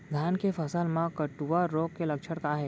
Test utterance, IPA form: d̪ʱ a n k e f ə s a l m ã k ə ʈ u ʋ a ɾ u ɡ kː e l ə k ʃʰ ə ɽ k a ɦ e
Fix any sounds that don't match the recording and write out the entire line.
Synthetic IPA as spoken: d̪ʱ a n k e f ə s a l m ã k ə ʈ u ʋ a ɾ o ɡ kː e l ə k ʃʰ ə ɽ k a ɦ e